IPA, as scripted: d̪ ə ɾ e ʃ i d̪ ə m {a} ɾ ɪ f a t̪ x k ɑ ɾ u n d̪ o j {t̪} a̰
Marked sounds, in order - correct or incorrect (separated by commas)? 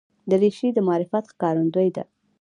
incorrect, incorrect